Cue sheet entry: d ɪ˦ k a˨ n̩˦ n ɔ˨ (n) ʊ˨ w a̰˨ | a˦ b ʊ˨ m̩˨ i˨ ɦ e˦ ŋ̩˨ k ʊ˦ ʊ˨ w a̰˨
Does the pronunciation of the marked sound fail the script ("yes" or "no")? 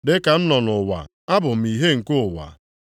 no